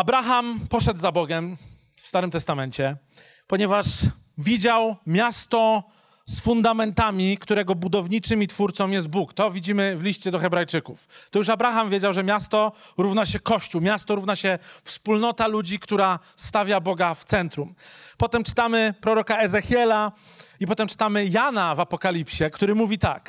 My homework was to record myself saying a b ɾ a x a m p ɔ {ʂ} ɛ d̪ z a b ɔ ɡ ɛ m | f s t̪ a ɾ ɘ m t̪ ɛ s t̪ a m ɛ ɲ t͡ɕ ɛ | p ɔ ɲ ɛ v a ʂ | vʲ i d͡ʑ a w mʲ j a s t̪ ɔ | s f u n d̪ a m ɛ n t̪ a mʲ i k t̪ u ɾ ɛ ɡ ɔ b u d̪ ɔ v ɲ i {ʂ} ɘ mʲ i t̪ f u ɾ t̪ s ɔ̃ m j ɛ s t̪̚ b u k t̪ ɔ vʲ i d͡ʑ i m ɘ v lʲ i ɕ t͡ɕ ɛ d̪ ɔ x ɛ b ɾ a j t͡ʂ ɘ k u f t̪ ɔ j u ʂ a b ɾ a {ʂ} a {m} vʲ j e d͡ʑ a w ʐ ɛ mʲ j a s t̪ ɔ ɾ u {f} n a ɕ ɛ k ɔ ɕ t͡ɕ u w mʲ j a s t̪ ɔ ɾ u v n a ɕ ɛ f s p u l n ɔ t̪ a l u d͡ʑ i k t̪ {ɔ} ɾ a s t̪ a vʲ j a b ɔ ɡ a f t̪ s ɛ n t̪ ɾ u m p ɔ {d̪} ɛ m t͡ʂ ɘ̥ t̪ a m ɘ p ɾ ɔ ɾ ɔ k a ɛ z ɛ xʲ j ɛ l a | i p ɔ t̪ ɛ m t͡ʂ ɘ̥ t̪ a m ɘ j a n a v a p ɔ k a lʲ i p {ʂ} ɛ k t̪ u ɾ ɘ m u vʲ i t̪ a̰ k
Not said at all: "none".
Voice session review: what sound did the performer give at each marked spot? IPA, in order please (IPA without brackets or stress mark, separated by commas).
ʂ, t͡ʂ, x, m, v, u, t̪, ɕ